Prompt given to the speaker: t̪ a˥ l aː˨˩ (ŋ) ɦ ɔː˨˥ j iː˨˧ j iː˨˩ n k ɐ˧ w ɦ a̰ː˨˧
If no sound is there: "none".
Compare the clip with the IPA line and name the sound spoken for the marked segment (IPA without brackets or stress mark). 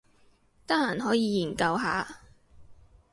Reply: n